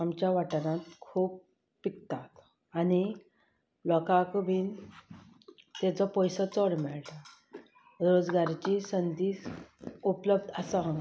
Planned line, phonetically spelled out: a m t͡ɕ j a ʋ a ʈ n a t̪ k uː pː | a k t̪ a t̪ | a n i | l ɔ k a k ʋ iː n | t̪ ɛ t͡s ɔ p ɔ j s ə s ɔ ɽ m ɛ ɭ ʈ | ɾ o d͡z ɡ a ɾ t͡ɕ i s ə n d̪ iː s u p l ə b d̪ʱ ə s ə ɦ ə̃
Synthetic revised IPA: a m t͡ɕ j a ʋ a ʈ n a t̪ kʰ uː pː | i k t̪ a t̪ | a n i | l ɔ k a k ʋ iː n | t̪ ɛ t͡s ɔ p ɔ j s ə t͡s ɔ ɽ m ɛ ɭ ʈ | ɾ o d͡z ɡ a ɾ t͡ɕ i s ə n d̪ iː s u p l ə b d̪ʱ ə s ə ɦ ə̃

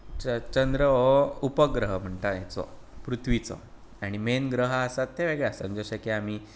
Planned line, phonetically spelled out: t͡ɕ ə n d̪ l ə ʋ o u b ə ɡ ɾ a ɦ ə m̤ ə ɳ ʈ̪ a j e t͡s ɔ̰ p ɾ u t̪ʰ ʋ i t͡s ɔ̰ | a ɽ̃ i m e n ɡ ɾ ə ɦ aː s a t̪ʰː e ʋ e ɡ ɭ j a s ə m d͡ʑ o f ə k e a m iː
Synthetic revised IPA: t͡ɕ ə n d̪ ɾ ə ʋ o u p ə ɡ ɾ ə ɦ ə m̤ ə ɳ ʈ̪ a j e t͡s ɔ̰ p ɾ u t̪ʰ ʋ i t͡s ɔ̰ | a ɽ̃ i m e n ɡ ɾ ə ɦ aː s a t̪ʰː e ʋ e ɡ ɭ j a s ə m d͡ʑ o ɕ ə k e a m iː

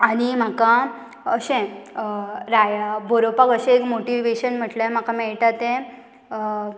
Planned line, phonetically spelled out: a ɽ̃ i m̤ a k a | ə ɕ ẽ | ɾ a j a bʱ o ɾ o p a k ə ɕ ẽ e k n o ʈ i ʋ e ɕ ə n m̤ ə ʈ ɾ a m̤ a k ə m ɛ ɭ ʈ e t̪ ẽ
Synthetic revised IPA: a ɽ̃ i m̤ a k a | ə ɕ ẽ | ɾ a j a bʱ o ɾ o p a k ə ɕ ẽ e k m o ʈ i ʋ e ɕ ə n m̤ ə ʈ l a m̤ a k a m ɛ ɭ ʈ a t̪ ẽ

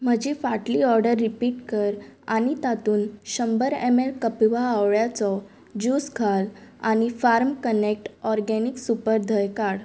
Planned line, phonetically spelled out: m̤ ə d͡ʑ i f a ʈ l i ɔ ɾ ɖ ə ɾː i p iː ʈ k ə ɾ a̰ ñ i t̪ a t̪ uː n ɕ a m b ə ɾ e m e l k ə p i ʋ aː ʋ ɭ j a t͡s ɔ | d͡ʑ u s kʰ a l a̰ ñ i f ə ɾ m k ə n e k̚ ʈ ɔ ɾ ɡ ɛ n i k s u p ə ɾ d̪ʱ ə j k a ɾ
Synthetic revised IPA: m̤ ə d͡ʑ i f a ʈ l i ɔ ɾ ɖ ə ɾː i p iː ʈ k ə ɾ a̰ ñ i t̪ a t̪ uː n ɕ ə m b ə ɾ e m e l k ə p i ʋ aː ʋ ɭ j a t͡s ɔ | d͡ʑ u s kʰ a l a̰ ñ i f a ɾ m k ə n e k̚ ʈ ɔ ɾ ɡ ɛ n i k s u p ə ɾ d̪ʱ ə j k a ɽ

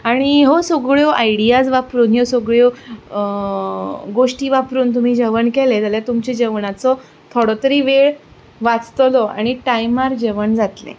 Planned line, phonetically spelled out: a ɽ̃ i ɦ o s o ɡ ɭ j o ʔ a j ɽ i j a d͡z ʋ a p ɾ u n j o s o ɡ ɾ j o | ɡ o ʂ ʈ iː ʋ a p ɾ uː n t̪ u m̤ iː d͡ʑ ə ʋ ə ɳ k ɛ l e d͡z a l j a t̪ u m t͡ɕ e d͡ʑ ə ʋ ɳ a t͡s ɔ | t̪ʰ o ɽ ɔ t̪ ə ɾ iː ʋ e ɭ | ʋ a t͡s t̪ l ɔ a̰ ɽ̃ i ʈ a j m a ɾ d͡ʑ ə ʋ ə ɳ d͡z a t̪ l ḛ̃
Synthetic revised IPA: a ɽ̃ i ɦ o s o ɡ ɭ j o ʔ a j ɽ i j a d͡z ʋ a p ɾ uː n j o s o ɡ ɭ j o | ɡ o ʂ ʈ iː ʋ a p ɾ uː n t̪ u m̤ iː d͡ʑ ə ʋ ə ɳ k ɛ l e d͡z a l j a t̪ u m t͡ɕ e d͡ʑ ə ʋ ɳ a t͡s ɔ | t̪ʰ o ɽ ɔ t̪ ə ɾ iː ʋ e ɭ | ʋ a t͡s t̪ l ɔ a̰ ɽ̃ i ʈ a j m a ɾ d͡ʑ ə ʋ ə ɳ d͡z a t̪ l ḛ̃

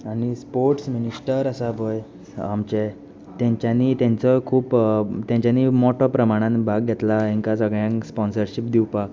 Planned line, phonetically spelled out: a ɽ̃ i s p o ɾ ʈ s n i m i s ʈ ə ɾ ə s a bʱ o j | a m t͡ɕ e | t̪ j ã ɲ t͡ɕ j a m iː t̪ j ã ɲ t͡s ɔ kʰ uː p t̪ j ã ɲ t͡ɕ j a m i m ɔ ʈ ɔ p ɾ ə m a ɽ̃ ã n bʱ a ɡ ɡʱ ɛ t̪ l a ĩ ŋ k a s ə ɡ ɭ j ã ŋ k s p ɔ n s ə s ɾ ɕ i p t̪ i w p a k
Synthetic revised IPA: a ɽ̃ i s p o ɾ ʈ s m i n i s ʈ ə ɾ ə s a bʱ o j | a m t͡ɕ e | t̪ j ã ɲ t͡ɕ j a n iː t̪ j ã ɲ t͡s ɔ kʰ uː p t̪ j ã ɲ t͡ɕ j a n i m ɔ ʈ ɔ p ɾ ə m a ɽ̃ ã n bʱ a ɡ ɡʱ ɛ t̪ l a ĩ ŋ k a s ə ɡ ɭ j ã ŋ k s p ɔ n s ə ɾ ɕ i p d̪ i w p a k

